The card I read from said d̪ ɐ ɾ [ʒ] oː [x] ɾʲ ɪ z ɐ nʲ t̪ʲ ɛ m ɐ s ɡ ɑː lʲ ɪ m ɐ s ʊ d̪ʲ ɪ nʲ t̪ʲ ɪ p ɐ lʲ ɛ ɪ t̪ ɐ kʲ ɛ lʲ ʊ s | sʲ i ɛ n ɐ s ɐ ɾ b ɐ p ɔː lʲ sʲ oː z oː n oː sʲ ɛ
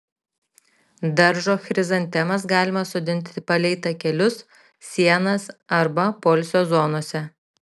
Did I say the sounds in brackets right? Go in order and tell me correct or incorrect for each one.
correct, correct

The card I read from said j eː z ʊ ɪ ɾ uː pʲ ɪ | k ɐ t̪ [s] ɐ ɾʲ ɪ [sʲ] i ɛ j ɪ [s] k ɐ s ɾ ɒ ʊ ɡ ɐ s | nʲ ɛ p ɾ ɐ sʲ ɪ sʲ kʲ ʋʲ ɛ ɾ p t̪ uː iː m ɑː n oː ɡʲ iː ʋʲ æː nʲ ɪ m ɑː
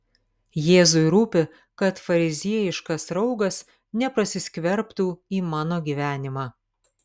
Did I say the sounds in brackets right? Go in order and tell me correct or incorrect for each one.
incorrect: f, incorrect: zʲ, incorrect: ʃ

